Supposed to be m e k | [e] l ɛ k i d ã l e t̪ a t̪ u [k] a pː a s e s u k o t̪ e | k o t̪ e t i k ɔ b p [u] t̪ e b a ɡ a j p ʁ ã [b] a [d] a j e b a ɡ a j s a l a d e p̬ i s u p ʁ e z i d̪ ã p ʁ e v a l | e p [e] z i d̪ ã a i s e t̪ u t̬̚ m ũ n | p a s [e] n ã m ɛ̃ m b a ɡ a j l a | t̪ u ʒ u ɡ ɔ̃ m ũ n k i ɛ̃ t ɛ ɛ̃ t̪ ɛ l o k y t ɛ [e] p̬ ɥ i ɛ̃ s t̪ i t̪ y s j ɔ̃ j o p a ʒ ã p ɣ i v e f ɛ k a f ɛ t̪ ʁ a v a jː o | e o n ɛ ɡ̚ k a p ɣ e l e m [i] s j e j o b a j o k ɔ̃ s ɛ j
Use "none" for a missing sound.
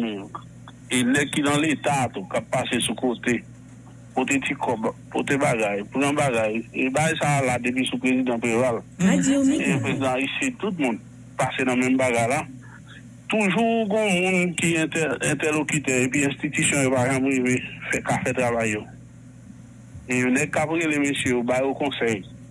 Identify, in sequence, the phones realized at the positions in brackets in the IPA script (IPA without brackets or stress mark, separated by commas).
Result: e, k, o, b, ɡ, e, e, e, e